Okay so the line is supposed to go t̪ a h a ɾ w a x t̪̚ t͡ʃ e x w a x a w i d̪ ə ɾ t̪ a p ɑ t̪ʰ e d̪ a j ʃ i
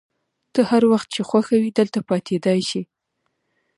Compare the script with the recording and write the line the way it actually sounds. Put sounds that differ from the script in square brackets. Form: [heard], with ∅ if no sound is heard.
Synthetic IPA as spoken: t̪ [ə] h a ɾ w a x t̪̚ t͡ʃ e x w a x a w i d̪ ə [l] t̪ a p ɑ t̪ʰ e d̪ [ɑ] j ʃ i

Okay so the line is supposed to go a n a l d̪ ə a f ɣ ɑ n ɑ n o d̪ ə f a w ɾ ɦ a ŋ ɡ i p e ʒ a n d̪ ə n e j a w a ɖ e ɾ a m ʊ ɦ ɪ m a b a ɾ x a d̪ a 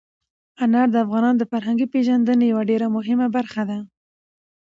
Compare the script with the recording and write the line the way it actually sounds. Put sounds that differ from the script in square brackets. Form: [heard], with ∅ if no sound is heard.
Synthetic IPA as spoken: a n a [ɾ] d̪ ə a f ɣ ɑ n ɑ n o d̪ ə f a [∅] ɾ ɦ a ŋ ɡ i p e ʒ a n d̪ ə n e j a w a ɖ e ɾ a m ʊ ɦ ɪ m a b a ɾ x a d̪ a

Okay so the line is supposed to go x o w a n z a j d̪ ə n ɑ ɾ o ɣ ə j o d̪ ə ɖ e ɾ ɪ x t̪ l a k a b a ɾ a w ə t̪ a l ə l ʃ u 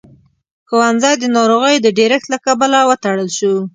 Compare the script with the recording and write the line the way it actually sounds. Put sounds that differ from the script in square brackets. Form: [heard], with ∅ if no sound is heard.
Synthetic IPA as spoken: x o w a n z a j d̪ ə n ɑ ɾ o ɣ ə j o d̪ ə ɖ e ɾ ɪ x t̪ l a k a b a [l] a w ə t̪ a [ɽ] ə l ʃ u

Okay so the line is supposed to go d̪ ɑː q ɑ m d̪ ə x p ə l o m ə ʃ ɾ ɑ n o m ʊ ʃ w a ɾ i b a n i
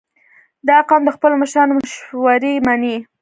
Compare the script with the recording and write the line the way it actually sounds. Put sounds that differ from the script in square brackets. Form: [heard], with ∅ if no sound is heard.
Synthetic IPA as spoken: d̪ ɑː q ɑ m d̪ ə x p ə l o m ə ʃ ɾ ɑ n o m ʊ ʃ w a ɾ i [m] a n i

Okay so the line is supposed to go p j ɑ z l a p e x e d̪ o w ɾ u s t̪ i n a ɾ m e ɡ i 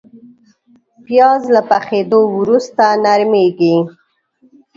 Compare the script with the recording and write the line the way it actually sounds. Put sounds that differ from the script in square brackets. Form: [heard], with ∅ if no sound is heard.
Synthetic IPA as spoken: p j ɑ z l a p [a] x e d̪ o w ɾ u s t̪ [a] n a ɾ m e ɡ i

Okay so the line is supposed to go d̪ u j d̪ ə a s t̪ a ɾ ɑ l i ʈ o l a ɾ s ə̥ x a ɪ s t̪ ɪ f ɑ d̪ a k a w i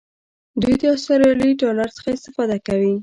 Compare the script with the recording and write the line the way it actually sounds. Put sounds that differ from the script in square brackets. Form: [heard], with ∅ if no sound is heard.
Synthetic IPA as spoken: d̪ u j d̪ ə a s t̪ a ɾ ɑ l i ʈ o l a ɾ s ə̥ x a ɪ s t̪ ɪ f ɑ d̪ a k a w i

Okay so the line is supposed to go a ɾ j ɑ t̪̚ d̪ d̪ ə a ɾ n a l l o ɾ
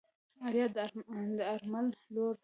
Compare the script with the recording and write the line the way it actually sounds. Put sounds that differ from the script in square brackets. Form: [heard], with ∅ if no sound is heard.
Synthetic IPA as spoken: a ɾ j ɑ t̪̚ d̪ d̪ ə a ɾ [m] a l l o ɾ

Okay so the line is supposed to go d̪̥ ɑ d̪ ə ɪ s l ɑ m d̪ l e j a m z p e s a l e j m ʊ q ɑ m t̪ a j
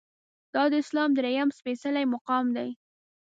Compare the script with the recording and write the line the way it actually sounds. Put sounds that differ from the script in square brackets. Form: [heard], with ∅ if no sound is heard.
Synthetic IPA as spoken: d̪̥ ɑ d̪ ə ɪ s l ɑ m d̪ [ɾ] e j a m [s] p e s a l [a] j m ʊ q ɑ m [d̪] a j

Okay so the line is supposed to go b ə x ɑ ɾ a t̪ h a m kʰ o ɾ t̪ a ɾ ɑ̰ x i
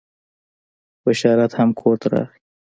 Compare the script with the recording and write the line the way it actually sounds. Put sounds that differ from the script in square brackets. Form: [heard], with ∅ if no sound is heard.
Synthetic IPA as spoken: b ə [ʃ] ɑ ɾ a t̪ h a m kʰ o ɾ t̪ a ɾ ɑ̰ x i

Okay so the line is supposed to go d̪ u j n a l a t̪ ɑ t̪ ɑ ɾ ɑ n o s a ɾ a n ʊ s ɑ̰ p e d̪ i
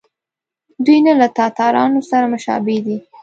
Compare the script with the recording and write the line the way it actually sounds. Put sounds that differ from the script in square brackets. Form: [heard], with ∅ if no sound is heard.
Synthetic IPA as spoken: d̪ u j n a l a t̪ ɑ t̪ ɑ ɾ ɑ n o s a ɾ a [m] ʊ [ʃ] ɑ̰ [b] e d̪ i

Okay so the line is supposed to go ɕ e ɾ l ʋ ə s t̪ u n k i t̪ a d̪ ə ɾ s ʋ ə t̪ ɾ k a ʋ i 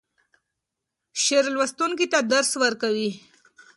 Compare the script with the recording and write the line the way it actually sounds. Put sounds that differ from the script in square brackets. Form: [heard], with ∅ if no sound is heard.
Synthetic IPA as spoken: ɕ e ɾ l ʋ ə s t̪ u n k i t̪ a d̪ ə ɾ s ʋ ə [∅] ɾ k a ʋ i

